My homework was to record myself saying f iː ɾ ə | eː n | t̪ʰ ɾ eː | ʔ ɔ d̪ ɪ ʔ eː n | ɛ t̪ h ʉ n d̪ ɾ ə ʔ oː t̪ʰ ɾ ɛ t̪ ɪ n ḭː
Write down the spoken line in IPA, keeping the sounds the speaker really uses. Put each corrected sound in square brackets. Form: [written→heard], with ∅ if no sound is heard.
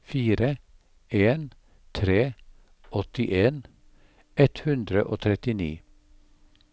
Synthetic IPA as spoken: f iː ɾ ə | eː n | t̪ʰ ɾ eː | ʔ ɔ [d̪→t̪] ɪ ʔ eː n | ɛ t̪ h ʉ n d̪ ɾ ə ʔ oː t̪ʰ ɾ ɛ t̪ ɪ n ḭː